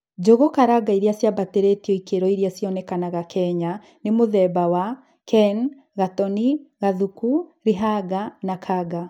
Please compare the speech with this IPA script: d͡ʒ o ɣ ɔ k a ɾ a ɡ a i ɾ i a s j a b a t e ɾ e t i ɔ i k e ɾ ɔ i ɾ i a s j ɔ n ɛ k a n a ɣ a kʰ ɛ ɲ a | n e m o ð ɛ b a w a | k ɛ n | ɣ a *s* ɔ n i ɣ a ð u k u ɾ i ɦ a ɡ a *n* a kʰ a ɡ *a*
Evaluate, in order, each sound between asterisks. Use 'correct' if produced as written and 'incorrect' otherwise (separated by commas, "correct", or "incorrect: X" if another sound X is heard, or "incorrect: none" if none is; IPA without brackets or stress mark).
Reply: incorrect: t, correct, correct